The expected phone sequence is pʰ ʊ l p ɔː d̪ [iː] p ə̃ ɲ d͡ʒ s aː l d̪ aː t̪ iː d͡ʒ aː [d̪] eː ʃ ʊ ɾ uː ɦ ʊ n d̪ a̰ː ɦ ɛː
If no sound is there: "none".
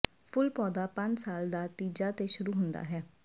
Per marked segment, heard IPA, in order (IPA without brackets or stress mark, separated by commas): aː, t̪